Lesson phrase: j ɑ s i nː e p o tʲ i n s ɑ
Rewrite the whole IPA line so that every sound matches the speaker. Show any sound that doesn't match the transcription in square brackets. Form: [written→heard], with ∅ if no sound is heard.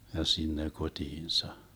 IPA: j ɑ s i nː e [p→k] o tʲ [i→iː] n s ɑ